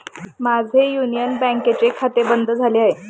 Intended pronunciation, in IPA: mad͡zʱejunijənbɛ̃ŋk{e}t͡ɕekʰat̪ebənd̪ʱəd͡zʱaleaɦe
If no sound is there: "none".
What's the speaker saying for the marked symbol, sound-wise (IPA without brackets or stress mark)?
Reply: e